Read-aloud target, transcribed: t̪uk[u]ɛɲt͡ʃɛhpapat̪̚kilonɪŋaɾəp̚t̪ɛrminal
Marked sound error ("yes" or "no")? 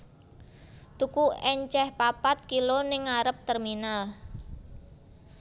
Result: no